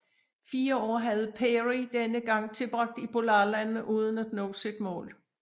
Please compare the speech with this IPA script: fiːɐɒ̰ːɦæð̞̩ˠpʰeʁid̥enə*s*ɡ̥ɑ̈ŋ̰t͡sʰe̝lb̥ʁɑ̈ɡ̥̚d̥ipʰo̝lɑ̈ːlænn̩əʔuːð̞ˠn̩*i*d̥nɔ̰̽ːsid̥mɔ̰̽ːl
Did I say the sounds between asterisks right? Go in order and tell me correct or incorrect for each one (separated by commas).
incorrect, incorrect